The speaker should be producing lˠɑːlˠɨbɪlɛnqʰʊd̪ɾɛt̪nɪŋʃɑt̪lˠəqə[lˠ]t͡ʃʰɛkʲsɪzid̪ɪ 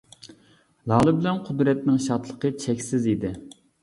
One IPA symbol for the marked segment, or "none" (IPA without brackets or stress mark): none